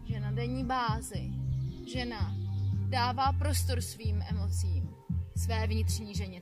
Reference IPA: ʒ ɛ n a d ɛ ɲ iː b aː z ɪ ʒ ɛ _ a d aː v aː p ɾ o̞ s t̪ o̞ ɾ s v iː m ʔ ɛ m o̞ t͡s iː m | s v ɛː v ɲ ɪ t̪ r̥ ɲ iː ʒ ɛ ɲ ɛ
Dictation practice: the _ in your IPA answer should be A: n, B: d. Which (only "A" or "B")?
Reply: A